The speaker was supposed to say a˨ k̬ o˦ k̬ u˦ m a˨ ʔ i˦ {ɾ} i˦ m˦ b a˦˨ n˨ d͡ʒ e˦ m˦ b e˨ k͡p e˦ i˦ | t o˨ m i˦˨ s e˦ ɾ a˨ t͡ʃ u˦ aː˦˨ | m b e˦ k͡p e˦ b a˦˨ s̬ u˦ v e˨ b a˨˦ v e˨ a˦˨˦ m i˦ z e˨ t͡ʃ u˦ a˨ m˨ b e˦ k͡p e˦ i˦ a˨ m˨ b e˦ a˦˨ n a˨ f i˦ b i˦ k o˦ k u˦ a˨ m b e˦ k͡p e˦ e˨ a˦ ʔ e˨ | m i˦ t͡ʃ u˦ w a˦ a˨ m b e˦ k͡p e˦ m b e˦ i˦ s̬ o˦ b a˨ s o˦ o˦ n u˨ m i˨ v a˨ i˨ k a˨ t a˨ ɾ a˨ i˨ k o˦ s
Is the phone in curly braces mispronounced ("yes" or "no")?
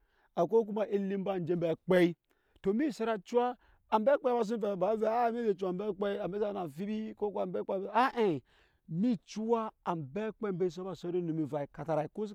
yes